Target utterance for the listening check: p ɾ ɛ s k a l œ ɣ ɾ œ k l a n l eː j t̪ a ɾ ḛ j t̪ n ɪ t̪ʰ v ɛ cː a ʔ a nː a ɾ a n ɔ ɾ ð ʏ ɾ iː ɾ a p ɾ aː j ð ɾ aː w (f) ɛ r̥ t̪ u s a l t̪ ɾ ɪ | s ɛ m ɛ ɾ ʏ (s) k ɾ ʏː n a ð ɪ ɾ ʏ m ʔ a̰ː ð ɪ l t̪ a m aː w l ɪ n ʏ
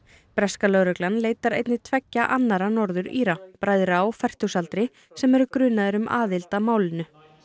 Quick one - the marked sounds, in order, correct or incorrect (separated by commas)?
correct, incorrect